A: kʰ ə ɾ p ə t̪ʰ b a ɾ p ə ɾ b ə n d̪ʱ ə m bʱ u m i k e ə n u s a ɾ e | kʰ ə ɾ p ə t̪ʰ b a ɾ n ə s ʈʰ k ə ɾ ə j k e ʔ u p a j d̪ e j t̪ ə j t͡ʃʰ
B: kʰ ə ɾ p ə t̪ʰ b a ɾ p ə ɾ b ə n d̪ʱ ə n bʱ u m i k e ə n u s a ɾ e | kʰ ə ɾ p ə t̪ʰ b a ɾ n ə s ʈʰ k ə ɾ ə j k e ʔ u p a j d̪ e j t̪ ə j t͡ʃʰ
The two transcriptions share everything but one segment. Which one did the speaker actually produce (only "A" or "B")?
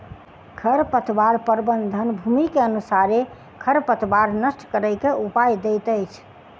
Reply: B